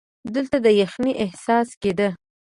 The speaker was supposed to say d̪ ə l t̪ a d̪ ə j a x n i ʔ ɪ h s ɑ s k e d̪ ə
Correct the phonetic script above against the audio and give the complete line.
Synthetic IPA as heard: d̪ ə l t̪ a d̪ ə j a x n i ʔ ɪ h s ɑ s k e d̪ ə